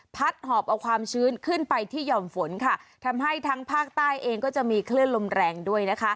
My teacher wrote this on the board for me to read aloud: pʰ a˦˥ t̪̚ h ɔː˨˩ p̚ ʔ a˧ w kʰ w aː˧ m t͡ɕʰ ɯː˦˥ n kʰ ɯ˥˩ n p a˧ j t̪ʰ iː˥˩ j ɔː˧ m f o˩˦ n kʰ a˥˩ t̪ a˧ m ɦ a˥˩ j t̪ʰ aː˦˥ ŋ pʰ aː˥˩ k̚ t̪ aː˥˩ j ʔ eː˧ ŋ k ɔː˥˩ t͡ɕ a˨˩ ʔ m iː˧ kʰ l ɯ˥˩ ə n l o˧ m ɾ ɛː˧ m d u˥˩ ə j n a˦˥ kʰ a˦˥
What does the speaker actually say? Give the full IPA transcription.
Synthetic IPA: pʰ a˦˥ t̪̚ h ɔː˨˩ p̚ ʔ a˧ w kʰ w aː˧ m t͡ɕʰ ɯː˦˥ n kʰ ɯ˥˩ n p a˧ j t̪ʰ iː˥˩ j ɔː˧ m f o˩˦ n kʰ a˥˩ t̪ʰ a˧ m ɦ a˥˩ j t̪ʰ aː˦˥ ŋ pʰ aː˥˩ k̚ t̪ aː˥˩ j ʔ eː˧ ŋ k ɔː˥˩ t͡ɕ a˨˩ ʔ m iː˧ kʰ l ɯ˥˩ ə n l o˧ m ɾ ɛː˧ ŋ d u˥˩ ə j n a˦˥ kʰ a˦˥